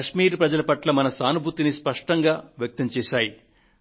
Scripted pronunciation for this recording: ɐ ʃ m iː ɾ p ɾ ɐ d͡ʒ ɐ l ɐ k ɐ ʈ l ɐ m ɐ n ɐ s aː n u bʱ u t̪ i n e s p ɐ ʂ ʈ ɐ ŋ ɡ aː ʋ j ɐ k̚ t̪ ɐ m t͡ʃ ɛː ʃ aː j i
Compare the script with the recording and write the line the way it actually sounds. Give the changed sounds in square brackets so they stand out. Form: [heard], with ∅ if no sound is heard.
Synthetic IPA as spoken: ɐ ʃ m iː ɾ p ɾ ɐ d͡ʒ ɐ l ɐ [p] ɐ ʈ l ɐ m ɐ n ɐ s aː n u bʱ u t̪ i n [i] s p ɐ ʂ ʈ ɐ ŋ ɡ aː ʋ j ɐ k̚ t̪ ɐ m t͡ʃ ɛː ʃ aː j i